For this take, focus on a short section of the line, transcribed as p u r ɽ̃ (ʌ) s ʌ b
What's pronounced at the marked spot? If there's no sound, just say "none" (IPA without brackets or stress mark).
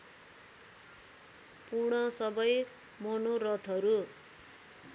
ʌ